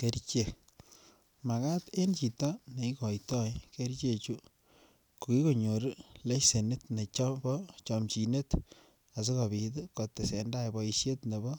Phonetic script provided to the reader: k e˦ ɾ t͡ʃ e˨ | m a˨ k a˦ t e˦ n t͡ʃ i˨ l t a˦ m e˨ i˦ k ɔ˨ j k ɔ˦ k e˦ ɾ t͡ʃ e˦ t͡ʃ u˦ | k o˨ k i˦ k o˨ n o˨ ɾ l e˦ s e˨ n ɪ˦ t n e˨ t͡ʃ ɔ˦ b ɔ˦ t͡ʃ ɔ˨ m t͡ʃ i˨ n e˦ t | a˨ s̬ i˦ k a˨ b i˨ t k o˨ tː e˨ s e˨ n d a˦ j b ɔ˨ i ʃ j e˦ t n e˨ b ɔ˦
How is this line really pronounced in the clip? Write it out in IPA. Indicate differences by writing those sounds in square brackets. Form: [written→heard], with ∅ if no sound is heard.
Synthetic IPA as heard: k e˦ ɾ t͡ʃ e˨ | m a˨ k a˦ t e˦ n t͡ʃ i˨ [l→∅] t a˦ [m→n] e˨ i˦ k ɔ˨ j [k→t] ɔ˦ k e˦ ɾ t͡ʃ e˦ t͡ʃ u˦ | k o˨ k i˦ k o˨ [n→ɲ] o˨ ɾ l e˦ s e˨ n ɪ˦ t n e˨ t͡ʃ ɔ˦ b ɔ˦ t͡ʃ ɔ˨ m t͡ʃ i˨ n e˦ t | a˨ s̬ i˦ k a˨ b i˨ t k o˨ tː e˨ s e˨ n d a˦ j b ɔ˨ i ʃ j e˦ t n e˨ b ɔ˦